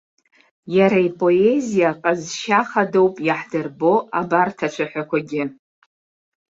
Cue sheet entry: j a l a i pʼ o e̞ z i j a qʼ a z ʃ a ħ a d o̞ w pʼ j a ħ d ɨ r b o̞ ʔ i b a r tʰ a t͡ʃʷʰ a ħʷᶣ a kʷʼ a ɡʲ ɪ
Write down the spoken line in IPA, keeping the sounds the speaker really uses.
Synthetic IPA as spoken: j a ɾ a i pʼ o e̞ z i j a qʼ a z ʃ a χ a d o̞ w pʼ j a ħ d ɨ r b o̞ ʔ a b a r tʰ a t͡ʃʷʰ a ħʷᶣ a kʷ a ɡʲ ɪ